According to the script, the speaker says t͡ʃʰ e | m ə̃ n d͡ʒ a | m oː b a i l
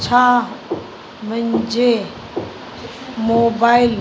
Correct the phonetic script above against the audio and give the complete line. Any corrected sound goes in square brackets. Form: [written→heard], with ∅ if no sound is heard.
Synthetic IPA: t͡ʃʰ [e→a] | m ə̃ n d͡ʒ [a→e] | m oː b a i l